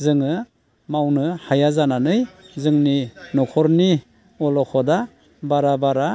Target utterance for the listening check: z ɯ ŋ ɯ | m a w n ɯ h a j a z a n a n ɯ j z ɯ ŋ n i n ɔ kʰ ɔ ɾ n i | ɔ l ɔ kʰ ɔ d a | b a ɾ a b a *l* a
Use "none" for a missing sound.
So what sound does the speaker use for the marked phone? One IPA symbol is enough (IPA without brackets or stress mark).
ɾ